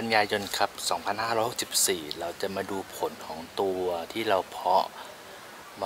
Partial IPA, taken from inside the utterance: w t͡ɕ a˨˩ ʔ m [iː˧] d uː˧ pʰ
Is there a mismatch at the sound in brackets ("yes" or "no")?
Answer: yes